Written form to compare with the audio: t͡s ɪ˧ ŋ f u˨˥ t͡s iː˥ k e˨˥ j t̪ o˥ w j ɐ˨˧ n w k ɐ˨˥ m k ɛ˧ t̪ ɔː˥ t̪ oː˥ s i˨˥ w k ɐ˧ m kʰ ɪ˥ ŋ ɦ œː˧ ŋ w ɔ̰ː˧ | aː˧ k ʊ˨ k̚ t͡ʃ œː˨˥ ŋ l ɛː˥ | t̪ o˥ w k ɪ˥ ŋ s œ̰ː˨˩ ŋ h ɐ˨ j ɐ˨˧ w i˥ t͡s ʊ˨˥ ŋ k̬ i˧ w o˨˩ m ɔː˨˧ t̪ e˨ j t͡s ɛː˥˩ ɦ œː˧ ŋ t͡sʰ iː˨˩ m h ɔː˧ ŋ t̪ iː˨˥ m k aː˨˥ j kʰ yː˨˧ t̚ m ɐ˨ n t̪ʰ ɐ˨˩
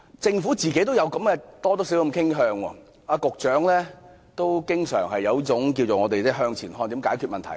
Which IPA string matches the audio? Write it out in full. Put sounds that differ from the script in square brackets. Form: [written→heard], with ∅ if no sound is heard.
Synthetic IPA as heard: t͡s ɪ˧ ŋ f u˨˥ t͡s [iː˥→iː˨] k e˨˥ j t̪ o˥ w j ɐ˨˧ [n→∅] w k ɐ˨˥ m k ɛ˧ t̪ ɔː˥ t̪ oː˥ s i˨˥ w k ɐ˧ m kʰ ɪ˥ ŋ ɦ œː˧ ŋ w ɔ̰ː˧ | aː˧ k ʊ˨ k̚ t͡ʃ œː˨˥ ŋ l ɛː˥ | t̪ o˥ w k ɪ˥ ŋ s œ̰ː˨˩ ŋ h ɐ˨ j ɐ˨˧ w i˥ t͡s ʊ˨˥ ŋ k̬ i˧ w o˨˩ [m→ŋ] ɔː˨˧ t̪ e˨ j t͡s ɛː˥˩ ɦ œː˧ ŋ t͡sʰ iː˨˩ [m→n] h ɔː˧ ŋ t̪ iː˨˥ m k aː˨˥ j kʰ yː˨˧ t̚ m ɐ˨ n t̪ʰ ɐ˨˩